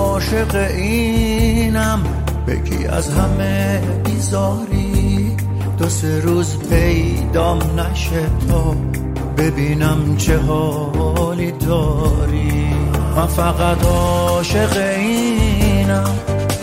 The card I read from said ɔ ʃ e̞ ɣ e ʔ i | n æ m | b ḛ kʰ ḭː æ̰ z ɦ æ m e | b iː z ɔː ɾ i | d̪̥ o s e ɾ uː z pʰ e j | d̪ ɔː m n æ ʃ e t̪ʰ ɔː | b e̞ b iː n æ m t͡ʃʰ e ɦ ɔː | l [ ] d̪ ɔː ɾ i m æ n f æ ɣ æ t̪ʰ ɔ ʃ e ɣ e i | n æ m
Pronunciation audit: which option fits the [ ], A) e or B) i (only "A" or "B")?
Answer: B